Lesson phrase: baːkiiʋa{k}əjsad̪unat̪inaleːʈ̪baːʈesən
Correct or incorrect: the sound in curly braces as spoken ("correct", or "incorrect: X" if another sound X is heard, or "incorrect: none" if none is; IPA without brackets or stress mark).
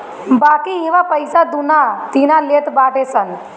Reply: incorrect: p